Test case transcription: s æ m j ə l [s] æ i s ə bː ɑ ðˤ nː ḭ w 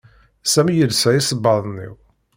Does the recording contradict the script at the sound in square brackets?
no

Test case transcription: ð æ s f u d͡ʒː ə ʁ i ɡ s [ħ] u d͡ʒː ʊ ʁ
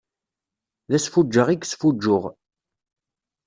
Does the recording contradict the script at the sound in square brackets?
yes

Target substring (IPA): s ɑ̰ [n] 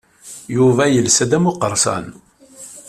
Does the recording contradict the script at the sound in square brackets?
no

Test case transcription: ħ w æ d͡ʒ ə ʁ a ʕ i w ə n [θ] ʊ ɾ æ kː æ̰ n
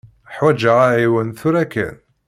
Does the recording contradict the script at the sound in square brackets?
no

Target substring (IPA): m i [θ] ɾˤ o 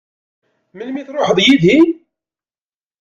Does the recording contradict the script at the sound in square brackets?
no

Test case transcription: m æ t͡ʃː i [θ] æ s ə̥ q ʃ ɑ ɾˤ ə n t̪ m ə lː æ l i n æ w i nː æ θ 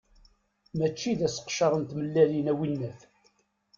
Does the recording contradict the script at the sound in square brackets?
yes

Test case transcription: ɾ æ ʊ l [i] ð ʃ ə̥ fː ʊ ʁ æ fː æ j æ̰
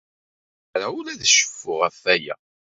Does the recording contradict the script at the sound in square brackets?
yes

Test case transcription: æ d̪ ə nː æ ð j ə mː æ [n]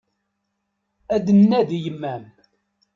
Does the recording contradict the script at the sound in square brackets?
yes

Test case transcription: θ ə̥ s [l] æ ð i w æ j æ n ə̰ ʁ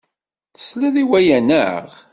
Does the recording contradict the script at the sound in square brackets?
no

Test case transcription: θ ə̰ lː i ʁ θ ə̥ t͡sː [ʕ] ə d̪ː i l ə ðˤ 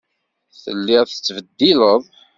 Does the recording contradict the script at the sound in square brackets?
yes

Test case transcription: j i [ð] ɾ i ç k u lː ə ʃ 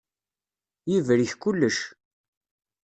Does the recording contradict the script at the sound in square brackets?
yes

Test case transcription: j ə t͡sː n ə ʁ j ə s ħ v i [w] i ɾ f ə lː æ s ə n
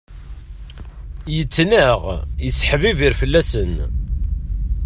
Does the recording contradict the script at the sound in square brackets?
yes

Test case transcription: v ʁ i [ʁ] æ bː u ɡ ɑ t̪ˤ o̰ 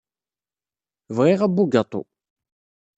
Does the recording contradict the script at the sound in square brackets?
no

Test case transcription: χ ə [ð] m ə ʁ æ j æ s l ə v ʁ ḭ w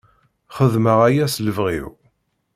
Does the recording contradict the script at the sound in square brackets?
no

